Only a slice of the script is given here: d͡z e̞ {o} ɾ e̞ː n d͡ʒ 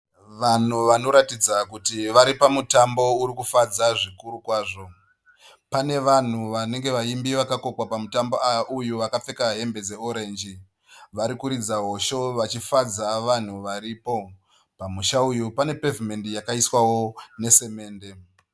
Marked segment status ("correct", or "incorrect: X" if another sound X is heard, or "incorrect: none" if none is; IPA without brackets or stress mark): correct